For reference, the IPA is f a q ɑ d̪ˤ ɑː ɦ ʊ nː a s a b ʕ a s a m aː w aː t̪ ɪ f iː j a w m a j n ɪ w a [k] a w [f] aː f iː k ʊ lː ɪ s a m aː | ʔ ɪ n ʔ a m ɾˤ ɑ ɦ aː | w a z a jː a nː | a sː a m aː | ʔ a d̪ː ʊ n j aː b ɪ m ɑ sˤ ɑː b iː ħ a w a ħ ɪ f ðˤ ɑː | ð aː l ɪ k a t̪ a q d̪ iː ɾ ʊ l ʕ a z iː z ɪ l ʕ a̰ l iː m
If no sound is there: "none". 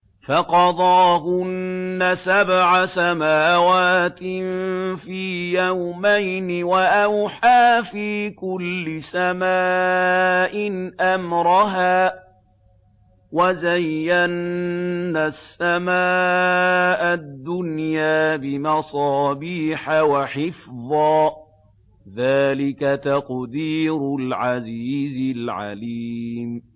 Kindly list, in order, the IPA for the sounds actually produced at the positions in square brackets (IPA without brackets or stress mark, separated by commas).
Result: ʔ, ħ